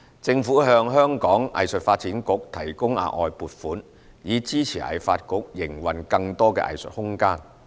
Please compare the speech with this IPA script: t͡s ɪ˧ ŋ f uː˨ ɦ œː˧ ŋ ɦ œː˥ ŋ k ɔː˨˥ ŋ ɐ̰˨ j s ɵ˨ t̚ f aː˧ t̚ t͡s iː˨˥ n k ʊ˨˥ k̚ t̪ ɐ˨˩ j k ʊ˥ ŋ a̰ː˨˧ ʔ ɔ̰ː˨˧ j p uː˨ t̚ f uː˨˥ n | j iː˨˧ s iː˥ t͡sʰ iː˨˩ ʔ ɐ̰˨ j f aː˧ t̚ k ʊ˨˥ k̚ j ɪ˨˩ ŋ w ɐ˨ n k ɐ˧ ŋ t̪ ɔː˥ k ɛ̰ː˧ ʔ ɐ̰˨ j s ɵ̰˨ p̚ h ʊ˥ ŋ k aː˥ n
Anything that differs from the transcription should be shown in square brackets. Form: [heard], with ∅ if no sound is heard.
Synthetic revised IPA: t͡s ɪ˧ ŋ f [uː˨˥] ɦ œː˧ ŋ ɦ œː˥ ŋ k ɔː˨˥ ŋ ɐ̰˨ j s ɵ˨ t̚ f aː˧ t̚ t͡s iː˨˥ n k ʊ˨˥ k̚ [t̪ʰ] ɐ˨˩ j k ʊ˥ ŋ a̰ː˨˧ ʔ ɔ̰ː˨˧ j p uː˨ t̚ f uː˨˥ n | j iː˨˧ [t͡s] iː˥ t͡sʰ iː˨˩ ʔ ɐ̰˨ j f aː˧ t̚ k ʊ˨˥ k̚ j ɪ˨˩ ŋ w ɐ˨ n k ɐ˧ ŋ t̪ ɔː˥ k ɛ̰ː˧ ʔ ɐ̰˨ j s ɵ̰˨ [t̚] h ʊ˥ ŋ k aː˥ n